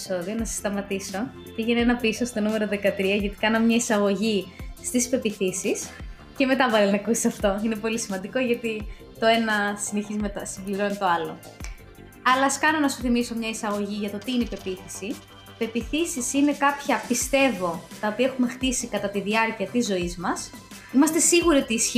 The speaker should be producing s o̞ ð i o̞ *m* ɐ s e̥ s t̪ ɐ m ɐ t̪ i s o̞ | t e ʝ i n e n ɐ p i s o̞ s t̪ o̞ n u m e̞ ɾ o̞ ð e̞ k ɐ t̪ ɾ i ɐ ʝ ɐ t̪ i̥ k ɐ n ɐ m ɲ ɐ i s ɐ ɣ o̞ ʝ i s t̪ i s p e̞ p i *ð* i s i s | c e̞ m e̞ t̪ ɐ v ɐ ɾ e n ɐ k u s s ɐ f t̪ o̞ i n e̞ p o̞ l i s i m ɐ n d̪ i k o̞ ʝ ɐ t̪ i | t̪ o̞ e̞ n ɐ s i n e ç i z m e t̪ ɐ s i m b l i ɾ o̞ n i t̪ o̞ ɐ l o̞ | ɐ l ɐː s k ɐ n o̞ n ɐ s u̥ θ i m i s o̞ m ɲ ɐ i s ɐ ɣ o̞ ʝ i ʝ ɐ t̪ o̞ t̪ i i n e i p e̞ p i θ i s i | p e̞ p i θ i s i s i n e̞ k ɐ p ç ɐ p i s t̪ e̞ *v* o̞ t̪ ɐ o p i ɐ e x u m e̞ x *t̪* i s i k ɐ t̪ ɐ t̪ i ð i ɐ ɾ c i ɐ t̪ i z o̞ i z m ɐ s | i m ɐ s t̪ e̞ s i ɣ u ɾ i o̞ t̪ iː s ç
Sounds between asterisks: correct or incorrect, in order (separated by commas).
incorrect, incorrect, correct, correct